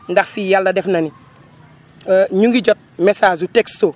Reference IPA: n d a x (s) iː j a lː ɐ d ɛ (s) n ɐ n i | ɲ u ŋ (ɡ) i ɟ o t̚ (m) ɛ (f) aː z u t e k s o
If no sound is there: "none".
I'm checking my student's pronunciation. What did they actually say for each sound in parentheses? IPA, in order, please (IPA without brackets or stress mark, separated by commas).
f, f, ɡ, m, s